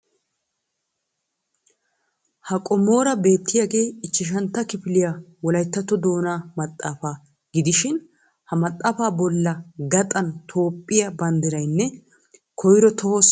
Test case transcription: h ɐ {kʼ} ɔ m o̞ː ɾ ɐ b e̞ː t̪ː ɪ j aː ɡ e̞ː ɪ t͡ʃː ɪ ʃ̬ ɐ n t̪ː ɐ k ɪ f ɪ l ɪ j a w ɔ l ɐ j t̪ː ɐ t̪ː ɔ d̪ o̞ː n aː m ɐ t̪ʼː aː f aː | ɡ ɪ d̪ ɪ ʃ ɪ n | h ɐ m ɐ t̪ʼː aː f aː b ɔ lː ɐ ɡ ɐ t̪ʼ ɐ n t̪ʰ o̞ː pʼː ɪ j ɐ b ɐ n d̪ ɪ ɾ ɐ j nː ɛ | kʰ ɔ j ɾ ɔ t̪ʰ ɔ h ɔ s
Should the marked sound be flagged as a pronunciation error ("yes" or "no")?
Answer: no